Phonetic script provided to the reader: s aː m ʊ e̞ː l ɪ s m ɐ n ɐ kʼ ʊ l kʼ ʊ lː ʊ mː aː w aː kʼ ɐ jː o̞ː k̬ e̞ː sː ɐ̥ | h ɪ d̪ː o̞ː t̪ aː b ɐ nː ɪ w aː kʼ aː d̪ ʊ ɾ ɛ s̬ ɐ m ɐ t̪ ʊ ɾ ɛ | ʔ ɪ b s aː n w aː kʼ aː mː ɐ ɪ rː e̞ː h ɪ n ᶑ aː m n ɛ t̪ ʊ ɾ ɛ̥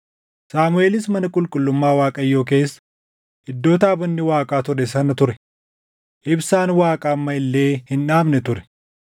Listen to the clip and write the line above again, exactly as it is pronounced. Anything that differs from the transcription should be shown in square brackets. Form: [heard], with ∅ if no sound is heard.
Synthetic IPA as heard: s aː m ʊ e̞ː l ɪ s m ɐ n ɐ kʼ ʊ l kʼ ʊ lː ʊ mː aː w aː kʼ ɐ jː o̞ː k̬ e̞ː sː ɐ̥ | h ɪ d̪ː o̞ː t̪ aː b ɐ nː ɪ w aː kʼ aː [t̪] ʊ ɾ ɛ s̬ ɐ [n] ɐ t̪ ʊ ɾ ɛ | ʔ ɪ b s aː n w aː kʼ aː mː ɐ ɪ [lː] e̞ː h ɪ n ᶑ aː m n ɛ t̪ ʊ ɾ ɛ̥